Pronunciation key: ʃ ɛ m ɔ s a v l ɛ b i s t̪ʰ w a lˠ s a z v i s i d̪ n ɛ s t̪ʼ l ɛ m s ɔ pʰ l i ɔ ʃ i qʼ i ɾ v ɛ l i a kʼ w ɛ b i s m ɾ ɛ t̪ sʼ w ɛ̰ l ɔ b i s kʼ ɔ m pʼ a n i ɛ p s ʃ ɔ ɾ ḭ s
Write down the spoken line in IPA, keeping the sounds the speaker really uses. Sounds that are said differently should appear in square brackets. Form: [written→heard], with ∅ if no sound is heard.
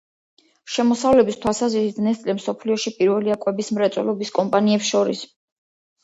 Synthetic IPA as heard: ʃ ɛ m ɔ s a v l ɛ b i s t̪ʰ w a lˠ s a z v i s i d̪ n ɛ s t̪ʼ l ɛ m s ɔ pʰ l i ɔ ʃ i [qʼ→pʼ] i ɾ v ɛ l i a kʼ w ɛ b i s m ɾ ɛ t̪ sʼ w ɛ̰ l ɔ b i s kʼ ɔ m pʼ a n i ɛ p s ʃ ɔ ɾ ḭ s